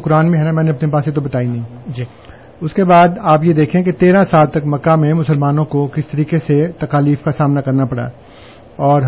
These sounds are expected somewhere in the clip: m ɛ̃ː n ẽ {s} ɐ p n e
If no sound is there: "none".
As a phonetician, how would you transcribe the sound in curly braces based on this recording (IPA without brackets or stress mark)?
none